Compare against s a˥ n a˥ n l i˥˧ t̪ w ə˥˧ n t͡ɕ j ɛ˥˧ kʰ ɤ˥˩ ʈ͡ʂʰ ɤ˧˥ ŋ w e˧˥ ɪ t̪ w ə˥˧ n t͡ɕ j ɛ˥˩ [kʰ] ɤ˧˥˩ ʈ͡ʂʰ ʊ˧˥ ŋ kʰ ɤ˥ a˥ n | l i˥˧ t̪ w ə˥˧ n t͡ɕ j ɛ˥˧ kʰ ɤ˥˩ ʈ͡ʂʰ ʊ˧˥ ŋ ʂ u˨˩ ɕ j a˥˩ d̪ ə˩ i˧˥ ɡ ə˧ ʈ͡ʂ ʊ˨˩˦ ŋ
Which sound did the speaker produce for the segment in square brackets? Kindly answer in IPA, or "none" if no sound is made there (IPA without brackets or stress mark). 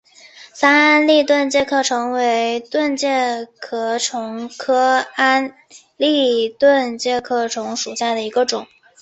kʰ